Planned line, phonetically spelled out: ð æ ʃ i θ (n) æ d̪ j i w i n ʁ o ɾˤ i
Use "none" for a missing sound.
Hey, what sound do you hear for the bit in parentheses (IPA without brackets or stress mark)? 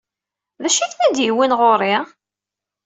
n